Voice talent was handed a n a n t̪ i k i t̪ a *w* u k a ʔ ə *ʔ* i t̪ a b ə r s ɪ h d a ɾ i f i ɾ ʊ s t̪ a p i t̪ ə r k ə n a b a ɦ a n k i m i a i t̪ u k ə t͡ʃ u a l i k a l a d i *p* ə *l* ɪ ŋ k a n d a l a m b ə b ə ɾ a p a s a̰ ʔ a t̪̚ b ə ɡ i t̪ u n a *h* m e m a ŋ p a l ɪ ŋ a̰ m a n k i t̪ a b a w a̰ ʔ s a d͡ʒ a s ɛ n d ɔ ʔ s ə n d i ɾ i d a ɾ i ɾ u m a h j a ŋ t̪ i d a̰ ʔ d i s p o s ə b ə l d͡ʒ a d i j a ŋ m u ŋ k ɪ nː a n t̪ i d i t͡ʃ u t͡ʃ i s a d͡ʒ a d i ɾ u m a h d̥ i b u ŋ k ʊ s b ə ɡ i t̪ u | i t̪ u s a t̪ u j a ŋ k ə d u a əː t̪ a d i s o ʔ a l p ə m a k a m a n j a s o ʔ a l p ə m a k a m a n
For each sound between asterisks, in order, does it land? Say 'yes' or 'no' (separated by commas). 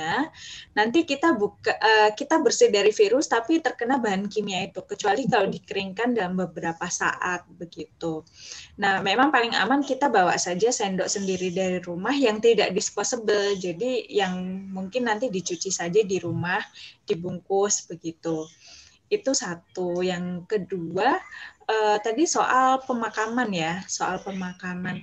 no, no, no, no, yes